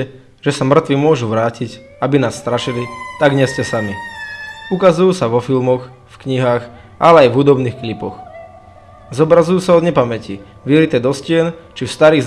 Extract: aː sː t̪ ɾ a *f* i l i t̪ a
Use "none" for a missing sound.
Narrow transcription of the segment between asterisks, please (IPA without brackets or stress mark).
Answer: ʃ